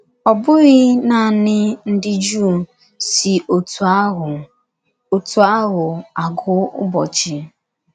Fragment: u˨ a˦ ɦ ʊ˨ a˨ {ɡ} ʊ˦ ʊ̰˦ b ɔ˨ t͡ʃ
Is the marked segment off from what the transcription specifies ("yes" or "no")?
no